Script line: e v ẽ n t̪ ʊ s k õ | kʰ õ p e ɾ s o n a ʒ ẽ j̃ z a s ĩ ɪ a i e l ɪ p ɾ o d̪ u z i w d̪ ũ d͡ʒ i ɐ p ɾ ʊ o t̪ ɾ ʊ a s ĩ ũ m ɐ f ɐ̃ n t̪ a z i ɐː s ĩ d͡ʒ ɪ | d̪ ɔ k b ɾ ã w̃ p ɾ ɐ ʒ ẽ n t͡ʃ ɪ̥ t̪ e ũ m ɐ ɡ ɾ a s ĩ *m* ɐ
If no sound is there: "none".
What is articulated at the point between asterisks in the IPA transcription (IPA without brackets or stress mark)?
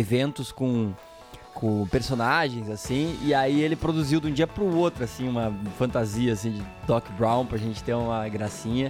ɲ